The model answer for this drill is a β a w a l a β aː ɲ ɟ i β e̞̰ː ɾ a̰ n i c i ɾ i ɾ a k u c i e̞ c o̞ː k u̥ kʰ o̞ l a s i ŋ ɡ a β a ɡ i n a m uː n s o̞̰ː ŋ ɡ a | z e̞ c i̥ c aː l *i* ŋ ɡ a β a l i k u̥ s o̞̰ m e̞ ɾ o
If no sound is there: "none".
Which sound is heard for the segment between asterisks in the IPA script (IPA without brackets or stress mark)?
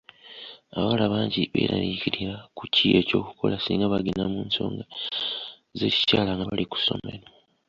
a